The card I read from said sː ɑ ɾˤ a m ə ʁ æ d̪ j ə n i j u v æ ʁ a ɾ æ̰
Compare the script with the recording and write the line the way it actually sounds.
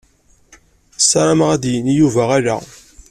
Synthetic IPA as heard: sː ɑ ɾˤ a m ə ʁ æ d̪ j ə n i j u v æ ʁ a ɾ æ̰